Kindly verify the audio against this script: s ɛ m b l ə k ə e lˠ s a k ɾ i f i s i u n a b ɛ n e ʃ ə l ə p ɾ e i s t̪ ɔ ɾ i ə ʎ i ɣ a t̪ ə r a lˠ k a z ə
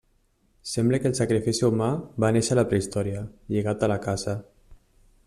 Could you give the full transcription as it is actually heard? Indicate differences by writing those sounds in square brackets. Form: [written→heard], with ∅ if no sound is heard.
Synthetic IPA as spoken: s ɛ m b l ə k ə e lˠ s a k ɾ i f i s i u [n→m] a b [ɛ→a] n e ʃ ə l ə p ɾ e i s t̪ ɔ ɾ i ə ʎ i ɣ a t̪ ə [r→l] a [lˠ→∅] k a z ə

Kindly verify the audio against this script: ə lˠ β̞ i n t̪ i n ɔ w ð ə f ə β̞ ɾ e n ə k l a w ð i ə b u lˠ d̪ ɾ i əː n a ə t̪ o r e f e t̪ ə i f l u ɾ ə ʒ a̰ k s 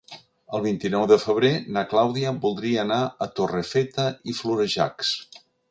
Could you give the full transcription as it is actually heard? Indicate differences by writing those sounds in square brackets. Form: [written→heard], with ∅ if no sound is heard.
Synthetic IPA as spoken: ə lˠ β̞ i n t̪ i n ɔ w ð ə f ə β̞ ɾ e n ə k l a w ð i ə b u lˠ d̪ ɾ i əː n a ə t̪ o r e f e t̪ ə i f l u ɾ ə ʒ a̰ k s

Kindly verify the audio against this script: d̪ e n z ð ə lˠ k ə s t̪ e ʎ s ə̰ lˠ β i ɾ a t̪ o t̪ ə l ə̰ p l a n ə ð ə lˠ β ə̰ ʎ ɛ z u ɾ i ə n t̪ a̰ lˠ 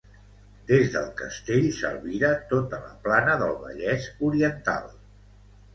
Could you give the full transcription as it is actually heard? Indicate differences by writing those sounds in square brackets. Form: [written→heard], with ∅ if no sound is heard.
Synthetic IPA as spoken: d̪ e [n→∅] z ð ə lˠ k ə s t̪ e ʎ s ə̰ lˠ β i ɾ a t̪ o t̪ ə l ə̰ p l a n ə ð ə lˠ β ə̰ ʎ ɛ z u ɾ i ə n t̪ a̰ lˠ

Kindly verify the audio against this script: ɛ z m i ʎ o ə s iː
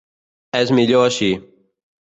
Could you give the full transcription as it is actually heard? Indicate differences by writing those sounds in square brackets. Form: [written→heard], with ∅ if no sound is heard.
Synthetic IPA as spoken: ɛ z m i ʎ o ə [s→ʃ] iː

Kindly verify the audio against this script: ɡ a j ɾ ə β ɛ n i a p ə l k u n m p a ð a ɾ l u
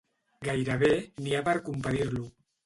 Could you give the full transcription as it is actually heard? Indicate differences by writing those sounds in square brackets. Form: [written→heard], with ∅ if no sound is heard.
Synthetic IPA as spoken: ɡ a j ɾ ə β [ɛ→e] n i a p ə [l→ɾ] k u [n→∅] m p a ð [a→i] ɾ l u

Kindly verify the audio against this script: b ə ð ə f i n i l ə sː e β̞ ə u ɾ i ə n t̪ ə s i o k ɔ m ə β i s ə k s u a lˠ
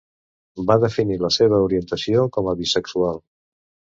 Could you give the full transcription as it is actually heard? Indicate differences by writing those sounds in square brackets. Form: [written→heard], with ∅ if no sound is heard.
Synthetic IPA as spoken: b [ə→a] ð ə f i n i l ə [sː→s] e β̞ ə u ɾ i ə n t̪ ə s i o k ɔ m ə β i s ə k s u a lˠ

